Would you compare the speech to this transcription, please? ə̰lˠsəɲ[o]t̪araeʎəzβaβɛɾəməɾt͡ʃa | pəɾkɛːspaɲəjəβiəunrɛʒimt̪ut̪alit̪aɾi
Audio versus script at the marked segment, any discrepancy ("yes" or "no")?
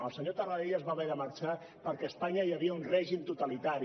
no